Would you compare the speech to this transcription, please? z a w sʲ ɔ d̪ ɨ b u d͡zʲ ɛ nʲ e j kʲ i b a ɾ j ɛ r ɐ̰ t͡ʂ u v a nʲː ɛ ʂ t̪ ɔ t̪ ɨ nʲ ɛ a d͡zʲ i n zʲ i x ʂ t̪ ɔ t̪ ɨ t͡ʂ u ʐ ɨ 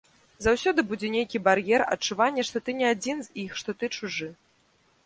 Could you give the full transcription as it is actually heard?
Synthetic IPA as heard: z a w sʲ ɔ d̪ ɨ b u d͡zʲ ɛ nʲ e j kʲ i b a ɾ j ɛ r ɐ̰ t͡ʂ u v a nʲː ɛ ʂ t̪ ɔ t̪ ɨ nʲ ɛ a d͡zʲ i n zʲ i x ʂ t̪ ɔ t̪ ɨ t͡ʂ u ʐ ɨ